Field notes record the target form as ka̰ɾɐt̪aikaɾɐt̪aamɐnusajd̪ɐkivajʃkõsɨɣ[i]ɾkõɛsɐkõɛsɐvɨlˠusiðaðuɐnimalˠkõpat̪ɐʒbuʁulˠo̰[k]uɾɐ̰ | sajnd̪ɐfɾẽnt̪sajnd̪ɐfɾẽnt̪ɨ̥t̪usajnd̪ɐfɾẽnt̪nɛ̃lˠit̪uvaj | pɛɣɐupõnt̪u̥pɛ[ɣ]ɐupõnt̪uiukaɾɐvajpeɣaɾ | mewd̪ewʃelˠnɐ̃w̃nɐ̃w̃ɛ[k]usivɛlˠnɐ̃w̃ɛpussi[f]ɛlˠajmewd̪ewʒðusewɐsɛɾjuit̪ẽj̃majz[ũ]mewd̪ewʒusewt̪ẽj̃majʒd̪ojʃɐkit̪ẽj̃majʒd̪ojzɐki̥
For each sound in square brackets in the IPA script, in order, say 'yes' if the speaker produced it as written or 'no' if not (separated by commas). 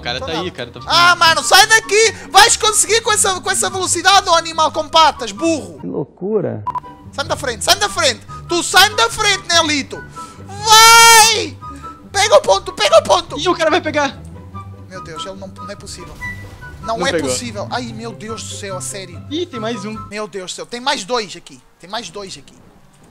yes, yes, yes, no, no, yes